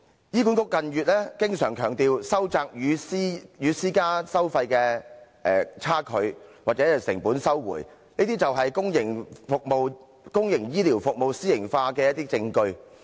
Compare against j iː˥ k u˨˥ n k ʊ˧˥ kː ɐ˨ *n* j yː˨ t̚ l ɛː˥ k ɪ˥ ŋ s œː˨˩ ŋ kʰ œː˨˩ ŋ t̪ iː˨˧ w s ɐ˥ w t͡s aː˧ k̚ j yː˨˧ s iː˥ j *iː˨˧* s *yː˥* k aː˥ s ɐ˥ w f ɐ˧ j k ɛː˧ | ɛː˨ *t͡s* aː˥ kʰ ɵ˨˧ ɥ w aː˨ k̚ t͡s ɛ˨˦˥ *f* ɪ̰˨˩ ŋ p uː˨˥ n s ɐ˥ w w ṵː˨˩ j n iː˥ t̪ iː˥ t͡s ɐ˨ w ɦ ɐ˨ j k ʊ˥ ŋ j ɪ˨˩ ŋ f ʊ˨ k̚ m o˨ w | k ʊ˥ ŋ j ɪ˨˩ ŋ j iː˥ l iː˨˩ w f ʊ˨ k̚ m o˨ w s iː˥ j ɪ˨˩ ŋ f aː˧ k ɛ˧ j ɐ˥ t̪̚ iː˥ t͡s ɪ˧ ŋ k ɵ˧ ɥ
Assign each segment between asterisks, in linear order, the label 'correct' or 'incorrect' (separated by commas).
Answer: correct, incorrect, incorrect, incorrect, incorrect